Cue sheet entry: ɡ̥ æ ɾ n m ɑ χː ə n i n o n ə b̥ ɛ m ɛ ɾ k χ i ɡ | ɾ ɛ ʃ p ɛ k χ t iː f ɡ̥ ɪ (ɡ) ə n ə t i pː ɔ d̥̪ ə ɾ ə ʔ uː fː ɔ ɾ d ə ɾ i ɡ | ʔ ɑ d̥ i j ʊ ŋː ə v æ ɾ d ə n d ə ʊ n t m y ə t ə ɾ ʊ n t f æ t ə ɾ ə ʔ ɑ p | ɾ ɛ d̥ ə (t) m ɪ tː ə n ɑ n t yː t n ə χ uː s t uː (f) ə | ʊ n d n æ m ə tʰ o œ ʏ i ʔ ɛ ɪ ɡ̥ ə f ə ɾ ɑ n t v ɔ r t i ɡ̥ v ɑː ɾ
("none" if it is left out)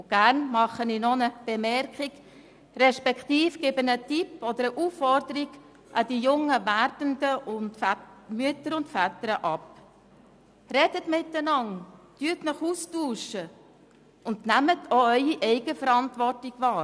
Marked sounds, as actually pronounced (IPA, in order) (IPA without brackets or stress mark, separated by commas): b, t, ʃ